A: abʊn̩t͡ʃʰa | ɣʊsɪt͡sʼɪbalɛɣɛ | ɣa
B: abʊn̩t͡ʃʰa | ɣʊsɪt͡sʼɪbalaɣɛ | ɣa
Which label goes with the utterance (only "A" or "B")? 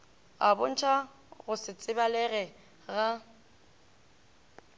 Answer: A